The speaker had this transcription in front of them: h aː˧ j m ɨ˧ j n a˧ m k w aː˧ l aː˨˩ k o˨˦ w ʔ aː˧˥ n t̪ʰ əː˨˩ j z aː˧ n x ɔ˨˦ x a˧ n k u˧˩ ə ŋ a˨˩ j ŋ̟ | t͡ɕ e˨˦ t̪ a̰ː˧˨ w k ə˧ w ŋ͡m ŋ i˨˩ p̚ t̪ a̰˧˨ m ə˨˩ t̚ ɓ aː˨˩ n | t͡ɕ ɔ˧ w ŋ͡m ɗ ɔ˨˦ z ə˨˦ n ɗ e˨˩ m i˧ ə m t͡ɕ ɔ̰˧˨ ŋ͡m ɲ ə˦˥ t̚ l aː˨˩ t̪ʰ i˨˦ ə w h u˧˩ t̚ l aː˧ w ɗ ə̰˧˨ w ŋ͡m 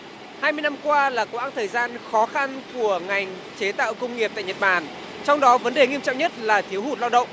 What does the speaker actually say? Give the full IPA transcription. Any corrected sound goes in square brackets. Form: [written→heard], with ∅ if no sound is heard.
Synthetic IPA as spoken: h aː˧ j m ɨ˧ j n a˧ m k w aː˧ l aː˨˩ k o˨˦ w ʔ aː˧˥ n t̪ʰ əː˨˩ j z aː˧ n x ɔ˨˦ x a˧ n k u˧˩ ə ŋ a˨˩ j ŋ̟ | t͡ɕ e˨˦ t̪ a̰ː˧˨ w k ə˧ w ŋ͡m ŋ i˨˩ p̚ t̪ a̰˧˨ [m→ɲ] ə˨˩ t̚ ɓ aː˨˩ n | t͡ɕ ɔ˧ w ŋ͡m ɗ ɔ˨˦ [z→v] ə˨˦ n ɗ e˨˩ [m→ŋ] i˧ ə m t͡ɕ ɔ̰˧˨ ŋ͡m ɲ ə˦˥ t̚ l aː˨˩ t̪ʰ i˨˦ ə w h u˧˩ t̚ l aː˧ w ɗ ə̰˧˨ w ŋ͡m

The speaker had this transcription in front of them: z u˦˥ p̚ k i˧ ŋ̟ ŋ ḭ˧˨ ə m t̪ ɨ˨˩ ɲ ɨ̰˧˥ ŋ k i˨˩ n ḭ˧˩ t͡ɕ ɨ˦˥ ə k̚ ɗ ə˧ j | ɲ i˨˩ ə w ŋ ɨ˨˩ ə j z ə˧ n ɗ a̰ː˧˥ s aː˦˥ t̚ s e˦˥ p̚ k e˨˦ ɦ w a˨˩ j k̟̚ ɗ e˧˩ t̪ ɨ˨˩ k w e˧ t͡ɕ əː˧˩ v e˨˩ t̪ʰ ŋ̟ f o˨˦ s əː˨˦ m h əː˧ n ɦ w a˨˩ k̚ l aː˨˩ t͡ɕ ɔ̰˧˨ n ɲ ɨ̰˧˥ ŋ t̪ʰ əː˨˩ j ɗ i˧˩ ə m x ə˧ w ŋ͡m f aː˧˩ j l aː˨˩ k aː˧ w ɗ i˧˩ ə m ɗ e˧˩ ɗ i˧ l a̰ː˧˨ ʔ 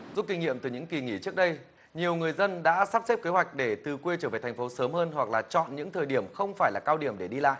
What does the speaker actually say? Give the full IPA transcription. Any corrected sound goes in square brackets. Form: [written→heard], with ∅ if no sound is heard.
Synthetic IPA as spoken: z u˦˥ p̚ k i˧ ŋ̟ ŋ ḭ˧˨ ə m t̪ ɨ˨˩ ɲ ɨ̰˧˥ ŋ k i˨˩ [n→ŋ] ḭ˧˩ t͡ɕ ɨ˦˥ ə k̚ ɗ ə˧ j | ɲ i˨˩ ə w ŋ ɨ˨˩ ə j z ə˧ n ɗ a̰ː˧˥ s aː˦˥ [t̚→p̚] s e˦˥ p̚ k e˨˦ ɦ w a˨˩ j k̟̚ ɗ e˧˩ t̪ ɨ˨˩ k w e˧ t͡ɕ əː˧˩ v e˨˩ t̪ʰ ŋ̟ f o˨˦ s əː˨˦ m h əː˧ n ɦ w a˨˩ k̚ l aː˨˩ t͡ɕ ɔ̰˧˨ n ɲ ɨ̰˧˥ ŋ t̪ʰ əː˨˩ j ɗ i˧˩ ə m x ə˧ w ŋ͡m f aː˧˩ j l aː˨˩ k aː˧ w ɗ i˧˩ ə m ɗ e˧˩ ɗ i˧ l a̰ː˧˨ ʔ

